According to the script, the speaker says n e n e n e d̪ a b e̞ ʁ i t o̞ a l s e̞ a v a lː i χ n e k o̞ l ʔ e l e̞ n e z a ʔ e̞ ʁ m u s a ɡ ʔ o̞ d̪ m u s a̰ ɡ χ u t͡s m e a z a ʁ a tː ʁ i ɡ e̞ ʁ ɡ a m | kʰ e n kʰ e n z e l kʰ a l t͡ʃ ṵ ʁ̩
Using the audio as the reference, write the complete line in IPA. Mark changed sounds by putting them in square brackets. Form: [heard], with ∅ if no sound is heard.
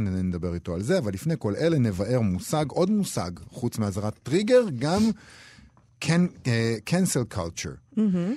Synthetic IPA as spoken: n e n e n e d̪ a b e̞ ʁ i t o̞ a l [z] e̞ a v a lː i [f] n e k o̞ l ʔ e l e̞ n e [v] a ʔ e̞ ʁ m u s a ɡ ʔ o̞ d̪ m u s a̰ ɡ χ u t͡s m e a z a ʁ a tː ʁ i ɡ e̞ ʁ ɡ a m | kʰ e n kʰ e n [s] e l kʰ a l t͡ʃ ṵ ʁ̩